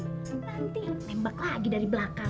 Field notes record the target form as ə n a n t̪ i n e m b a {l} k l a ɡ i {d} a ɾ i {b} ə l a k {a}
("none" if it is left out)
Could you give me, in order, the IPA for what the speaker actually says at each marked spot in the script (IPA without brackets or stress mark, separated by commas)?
none, d, b, a